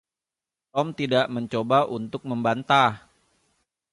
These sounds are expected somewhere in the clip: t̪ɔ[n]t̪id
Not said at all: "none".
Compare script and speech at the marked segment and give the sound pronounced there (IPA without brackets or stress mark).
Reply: m